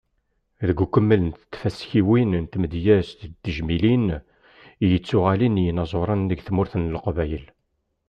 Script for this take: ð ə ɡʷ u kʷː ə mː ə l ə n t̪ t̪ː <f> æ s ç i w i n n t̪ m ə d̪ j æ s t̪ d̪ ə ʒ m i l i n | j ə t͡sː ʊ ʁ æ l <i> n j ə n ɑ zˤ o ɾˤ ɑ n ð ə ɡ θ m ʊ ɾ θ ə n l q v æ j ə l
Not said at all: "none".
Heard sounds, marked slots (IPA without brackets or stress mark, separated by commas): f, i